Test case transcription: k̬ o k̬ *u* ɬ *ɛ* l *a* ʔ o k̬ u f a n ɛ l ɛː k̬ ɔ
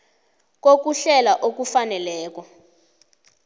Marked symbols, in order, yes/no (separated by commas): yes, yes, yes